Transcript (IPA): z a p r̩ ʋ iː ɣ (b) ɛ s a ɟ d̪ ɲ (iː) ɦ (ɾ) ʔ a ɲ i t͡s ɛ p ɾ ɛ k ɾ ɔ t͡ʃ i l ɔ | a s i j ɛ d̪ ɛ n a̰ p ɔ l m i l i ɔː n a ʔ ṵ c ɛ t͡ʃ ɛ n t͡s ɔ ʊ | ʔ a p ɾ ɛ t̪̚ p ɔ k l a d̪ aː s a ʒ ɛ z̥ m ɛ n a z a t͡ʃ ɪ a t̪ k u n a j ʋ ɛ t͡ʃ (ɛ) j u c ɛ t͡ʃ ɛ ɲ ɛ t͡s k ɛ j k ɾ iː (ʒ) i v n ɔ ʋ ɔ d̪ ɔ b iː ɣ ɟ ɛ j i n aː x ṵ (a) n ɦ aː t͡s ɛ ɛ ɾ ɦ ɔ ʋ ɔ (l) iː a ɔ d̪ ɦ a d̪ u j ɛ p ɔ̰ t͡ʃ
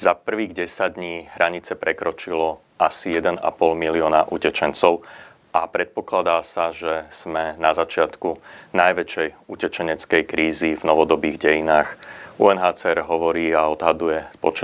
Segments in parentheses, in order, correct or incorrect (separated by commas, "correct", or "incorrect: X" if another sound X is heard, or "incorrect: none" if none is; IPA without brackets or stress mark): incorrect: ɟ, correct, correct, correct, incorrect: z, incorrect: ɛ, incorrect: ɾ